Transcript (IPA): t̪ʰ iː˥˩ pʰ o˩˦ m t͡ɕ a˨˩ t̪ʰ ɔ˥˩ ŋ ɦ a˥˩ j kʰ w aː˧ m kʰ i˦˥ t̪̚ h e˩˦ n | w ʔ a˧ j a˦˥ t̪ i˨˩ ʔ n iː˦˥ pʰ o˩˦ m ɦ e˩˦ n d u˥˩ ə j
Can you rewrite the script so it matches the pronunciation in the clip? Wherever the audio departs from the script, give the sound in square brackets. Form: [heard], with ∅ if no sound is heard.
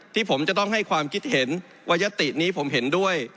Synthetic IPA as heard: t̪ʰ iː˥˩ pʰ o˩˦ m t͡ɕ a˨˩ [t̪] ɔ˥˩ ŋ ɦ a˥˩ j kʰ w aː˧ m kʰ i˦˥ t̪̚ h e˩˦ n | w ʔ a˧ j a˦˥ t̪ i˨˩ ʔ n iː˦˥ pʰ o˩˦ m ɦ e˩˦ n d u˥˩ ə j